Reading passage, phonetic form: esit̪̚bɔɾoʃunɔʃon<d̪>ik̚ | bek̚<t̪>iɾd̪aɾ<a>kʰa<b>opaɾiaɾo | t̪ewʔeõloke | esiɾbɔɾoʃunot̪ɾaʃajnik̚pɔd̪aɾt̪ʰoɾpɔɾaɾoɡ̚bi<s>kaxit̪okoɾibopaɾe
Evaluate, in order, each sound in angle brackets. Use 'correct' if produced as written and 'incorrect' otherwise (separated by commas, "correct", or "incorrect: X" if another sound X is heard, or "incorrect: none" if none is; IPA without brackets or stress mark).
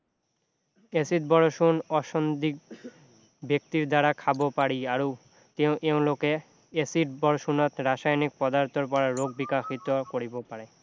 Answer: correct, correct, correct, correct, incorrect: none